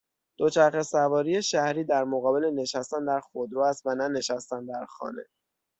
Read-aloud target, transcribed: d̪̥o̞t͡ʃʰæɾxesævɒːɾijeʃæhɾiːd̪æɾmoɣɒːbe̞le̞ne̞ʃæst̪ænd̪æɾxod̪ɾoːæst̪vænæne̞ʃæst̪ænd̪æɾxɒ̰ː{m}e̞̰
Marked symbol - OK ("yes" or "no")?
no